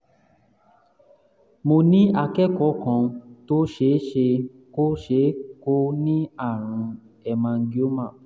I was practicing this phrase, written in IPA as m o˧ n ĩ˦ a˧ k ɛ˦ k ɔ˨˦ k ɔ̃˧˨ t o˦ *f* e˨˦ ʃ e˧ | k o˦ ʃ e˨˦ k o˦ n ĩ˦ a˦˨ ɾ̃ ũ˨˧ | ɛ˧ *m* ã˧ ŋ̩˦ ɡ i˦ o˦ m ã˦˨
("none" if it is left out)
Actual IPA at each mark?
ʃ, m

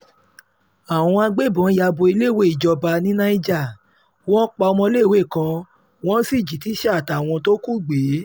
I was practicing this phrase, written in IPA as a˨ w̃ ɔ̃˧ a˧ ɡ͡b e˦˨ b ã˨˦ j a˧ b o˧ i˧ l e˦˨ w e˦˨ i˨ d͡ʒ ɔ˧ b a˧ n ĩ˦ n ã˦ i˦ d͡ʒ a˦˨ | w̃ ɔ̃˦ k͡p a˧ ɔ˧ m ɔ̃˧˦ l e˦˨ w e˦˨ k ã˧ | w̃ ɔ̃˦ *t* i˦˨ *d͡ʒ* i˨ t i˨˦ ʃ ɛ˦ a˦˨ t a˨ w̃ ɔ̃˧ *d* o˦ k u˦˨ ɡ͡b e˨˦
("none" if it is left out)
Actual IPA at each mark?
s, d͡ʒ, t

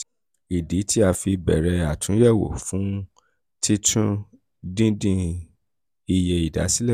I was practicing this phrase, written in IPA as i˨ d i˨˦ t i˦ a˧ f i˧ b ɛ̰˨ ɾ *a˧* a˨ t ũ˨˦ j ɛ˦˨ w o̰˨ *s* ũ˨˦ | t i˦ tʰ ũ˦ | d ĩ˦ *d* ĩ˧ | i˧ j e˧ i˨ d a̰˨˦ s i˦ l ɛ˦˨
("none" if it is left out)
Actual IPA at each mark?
ɛ˧, f, d

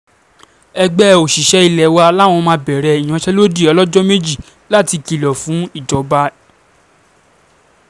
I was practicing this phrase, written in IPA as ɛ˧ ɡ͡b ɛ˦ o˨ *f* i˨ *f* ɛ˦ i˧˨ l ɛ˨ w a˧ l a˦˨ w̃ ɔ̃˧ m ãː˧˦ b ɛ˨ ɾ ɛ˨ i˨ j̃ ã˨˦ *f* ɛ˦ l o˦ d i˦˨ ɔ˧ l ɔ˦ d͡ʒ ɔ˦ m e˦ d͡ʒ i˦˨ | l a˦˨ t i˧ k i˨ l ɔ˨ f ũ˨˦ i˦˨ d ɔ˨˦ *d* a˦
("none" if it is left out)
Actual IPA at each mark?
ʃ, ʃ, ʃ, b

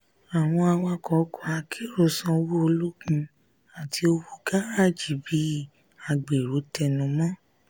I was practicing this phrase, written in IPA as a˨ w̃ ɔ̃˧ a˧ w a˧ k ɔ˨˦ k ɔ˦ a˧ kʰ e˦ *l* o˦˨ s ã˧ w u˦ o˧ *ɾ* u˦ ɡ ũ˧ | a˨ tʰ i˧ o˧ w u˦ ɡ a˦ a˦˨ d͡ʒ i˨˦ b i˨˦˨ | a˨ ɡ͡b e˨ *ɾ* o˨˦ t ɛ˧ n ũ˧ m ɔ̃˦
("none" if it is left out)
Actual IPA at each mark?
ɾ, l, ɾ

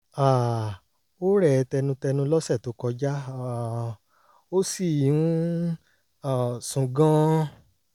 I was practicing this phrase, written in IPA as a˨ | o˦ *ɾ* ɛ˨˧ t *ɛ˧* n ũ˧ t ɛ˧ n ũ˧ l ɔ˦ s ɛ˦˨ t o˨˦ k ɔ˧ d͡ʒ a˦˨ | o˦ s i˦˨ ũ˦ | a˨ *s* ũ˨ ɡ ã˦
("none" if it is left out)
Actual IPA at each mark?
ɾ, ɛ˧, s

